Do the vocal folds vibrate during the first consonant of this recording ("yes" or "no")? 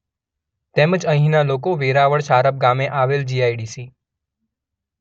no